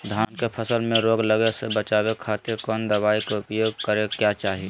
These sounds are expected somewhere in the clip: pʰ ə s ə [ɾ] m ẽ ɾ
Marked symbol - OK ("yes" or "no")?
no